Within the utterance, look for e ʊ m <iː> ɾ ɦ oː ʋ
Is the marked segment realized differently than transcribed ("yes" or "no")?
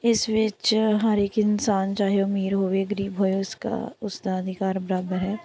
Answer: no